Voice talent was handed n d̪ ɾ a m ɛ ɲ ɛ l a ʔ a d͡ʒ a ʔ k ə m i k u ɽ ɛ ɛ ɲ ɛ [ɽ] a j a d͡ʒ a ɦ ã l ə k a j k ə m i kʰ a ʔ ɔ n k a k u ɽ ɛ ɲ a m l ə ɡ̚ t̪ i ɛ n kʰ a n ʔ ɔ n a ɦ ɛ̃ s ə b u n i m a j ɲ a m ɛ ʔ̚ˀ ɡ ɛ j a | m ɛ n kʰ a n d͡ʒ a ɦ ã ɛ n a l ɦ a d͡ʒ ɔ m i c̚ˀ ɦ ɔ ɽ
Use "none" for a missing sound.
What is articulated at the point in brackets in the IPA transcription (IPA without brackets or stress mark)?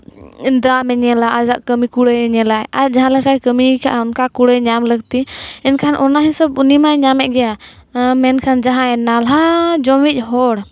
l